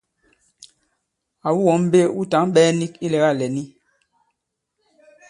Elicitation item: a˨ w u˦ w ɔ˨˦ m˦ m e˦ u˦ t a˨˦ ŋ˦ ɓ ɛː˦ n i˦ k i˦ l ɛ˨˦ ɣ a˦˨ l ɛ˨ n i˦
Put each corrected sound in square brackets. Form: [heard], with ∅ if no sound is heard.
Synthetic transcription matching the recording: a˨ w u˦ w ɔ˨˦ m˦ [b] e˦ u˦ t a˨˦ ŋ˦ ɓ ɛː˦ n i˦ k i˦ l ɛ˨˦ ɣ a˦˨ l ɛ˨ n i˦